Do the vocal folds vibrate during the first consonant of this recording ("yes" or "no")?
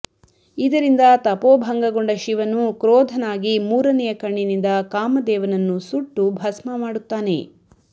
yes